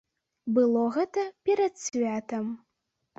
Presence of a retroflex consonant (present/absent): absent